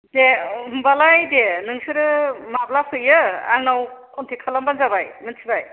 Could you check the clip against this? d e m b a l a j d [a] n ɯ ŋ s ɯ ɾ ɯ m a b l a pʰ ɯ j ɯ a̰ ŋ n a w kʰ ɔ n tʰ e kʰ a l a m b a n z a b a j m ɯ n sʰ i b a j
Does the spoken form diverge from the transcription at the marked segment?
yes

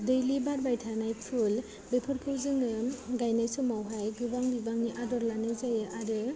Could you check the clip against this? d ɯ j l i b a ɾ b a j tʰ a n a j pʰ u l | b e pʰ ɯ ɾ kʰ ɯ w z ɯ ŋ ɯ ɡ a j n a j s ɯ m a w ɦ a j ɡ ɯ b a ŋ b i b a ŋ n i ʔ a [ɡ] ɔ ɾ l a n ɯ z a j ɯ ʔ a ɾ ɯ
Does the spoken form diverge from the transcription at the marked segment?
yes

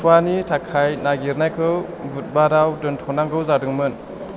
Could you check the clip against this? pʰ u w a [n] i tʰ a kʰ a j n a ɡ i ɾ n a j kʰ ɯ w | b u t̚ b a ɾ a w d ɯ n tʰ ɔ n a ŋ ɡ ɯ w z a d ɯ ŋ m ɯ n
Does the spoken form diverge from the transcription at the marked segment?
no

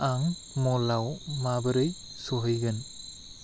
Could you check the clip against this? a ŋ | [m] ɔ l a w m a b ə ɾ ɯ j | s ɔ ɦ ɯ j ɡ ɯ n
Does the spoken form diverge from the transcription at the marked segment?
no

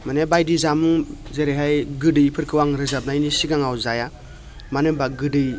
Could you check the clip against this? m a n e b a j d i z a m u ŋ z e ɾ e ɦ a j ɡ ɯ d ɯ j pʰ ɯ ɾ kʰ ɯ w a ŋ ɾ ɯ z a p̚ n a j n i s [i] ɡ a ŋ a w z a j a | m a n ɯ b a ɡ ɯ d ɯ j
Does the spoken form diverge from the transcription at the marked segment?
no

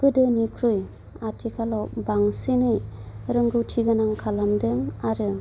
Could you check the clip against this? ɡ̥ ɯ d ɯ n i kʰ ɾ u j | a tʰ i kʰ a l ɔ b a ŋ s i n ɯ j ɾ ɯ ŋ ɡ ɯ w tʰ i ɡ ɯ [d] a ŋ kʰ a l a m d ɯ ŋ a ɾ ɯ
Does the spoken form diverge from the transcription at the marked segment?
yes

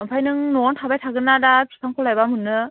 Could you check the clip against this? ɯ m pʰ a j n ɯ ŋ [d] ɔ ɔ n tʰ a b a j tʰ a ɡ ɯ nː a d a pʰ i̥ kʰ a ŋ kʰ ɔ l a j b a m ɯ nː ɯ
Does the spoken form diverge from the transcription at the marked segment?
yes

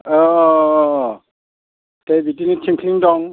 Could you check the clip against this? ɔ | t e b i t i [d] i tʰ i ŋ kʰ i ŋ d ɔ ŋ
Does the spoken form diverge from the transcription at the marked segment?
yes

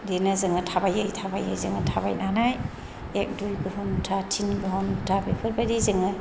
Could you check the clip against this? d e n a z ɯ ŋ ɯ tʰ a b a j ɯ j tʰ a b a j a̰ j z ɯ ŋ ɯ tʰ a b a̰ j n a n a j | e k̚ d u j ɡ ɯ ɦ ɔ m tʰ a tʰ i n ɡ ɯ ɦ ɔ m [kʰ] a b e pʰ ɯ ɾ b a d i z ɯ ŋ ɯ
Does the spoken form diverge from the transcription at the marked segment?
yes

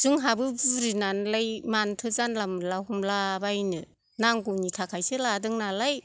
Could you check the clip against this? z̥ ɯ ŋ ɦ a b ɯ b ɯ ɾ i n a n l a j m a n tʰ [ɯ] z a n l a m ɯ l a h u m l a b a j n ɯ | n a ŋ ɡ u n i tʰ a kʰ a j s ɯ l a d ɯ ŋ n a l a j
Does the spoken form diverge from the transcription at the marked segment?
no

